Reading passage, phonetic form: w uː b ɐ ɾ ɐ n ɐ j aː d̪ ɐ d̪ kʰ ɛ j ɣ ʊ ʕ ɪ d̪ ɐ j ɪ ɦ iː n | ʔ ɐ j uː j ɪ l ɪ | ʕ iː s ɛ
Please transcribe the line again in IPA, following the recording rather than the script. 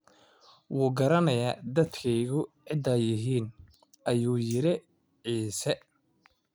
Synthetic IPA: w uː ɡ ɐ ɾ ɐ n ɐ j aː d̪ ɐ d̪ kʰ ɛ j ɣ ʊ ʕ ɪ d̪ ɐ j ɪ ɦ iː n | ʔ ɐ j uː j ɪ ɾ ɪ | ʕ iː s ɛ

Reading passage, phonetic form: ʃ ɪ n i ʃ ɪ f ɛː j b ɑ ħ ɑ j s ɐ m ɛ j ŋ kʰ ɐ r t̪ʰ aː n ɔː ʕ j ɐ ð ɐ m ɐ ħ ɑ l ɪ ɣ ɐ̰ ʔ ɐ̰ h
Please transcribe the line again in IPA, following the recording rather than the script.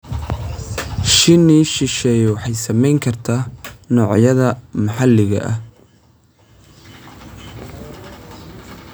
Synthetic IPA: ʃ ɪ n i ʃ ɪ ʃ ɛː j w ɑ ħ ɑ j s ɐ m ɛ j ŋ kʰ ɐ r t̪ʰ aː n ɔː ʕ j ɐ ð ɐ m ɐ ħ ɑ l ɪ ɣ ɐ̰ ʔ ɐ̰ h

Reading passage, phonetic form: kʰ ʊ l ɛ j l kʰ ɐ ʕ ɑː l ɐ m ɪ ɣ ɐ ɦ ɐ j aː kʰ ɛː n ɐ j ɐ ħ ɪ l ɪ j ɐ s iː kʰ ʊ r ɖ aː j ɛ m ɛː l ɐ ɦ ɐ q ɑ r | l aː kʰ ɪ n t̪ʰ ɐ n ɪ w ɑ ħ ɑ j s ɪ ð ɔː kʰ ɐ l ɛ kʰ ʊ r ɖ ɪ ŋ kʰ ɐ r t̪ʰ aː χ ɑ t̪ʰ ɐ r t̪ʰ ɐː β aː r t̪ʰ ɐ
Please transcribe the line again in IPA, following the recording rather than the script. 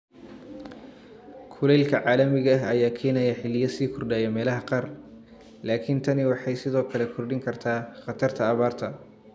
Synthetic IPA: kʰ ʊ l ɛ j l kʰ ɐ ʕ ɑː l ɐ m ɪ ɣ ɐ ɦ ɐ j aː kʰ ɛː n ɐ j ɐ ħ ɪ l ɪ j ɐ s iː kʰ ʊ r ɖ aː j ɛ m ɛː l ɐ ɦ ɐ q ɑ r | l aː kʰ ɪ n t̪ʰ ɐ n ɪ w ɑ ħ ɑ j s ɪ ð ɔː kʰ ɐ l ɛ kʰ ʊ r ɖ ɪ ŋ kʰ ɐ r t̪ʰ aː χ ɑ t̪ʰ ɐ r t̪ʰ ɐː β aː r t̪ʰ ɐ

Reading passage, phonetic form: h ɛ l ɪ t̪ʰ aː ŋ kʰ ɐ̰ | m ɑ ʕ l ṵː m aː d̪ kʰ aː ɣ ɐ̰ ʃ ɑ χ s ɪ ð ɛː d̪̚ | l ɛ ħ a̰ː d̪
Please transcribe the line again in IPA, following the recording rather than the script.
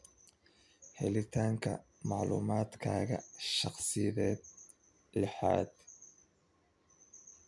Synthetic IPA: h ɛ l ɪ t̪ʰ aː ŋ kʰ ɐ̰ | m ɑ ʕ l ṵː m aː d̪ kʰ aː ɣ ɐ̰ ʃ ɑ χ s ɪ ð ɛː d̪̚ | l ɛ ħ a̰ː d̪

